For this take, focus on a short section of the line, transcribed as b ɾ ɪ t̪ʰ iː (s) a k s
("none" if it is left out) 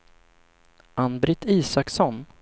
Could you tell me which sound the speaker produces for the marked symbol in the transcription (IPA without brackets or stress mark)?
s